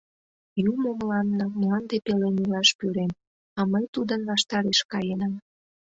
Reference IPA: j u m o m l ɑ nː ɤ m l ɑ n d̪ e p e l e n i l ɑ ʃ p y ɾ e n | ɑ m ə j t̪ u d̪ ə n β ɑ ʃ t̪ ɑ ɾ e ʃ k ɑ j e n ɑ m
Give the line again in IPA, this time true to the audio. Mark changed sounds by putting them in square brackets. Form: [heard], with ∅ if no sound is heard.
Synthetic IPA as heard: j u m o m l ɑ nː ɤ m l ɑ n d̪ e p e l e n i l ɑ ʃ p y ɾ e [m] | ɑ m ə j t̪ u d̪ ə n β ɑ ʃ t̪ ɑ ɾ e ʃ k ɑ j e n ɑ m